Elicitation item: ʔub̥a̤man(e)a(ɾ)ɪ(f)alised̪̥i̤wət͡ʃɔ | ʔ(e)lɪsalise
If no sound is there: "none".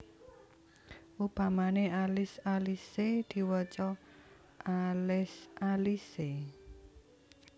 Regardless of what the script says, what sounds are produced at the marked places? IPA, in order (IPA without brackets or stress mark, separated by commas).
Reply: e, l, s, a